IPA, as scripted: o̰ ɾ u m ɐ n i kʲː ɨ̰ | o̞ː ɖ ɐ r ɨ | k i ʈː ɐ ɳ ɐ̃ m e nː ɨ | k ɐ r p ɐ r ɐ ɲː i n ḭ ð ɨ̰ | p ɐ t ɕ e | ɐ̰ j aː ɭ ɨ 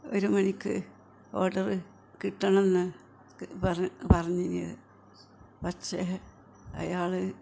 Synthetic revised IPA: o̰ ɾ u m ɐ n i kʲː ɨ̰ | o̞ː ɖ ɐ r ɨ | k i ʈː ɐ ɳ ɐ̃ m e nː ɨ | p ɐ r p ɐ r ɐ ɲː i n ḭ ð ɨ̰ | p ɐ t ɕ e | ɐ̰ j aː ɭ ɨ